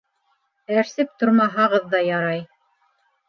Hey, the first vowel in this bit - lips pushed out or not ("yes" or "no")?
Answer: no